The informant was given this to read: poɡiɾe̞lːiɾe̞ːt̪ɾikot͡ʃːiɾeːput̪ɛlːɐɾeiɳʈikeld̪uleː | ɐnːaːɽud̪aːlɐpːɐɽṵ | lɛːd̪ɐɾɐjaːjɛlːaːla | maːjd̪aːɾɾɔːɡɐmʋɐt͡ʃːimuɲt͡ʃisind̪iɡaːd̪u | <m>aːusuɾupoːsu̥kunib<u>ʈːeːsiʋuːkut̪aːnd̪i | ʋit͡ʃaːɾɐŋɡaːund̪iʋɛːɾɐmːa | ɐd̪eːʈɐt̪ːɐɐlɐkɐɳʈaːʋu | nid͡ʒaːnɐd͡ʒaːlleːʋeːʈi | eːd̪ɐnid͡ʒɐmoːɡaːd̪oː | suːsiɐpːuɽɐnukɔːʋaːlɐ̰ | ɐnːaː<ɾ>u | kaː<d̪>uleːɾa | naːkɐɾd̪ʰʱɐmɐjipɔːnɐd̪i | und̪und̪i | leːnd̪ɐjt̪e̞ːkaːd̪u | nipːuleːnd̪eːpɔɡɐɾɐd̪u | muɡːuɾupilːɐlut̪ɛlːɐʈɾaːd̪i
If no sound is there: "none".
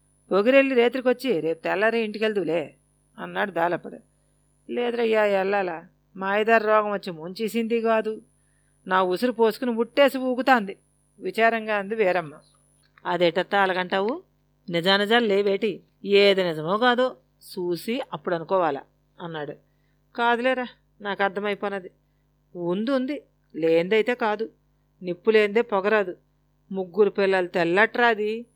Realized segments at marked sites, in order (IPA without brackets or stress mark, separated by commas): n, u, ɽ, d̪